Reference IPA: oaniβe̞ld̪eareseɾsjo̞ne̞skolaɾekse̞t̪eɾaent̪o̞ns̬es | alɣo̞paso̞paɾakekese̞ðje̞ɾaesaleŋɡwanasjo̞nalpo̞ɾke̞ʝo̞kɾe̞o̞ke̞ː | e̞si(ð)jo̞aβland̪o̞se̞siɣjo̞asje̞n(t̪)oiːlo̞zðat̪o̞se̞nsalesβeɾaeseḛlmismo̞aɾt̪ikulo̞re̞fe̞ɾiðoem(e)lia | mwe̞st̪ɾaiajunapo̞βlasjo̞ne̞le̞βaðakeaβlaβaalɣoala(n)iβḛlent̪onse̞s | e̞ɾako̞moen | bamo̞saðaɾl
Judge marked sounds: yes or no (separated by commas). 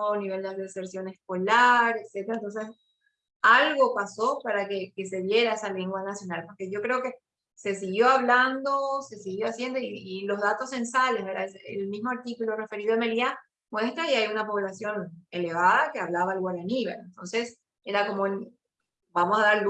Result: no, no, yes, yes